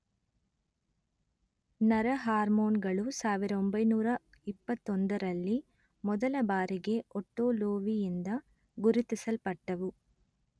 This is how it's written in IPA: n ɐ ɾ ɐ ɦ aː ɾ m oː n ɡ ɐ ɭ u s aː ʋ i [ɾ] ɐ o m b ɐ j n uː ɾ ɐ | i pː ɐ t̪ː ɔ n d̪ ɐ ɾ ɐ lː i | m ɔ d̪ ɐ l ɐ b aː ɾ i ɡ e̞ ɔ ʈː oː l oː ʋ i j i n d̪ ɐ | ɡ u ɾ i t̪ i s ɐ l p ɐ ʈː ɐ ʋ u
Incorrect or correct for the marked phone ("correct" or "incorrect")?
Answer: correct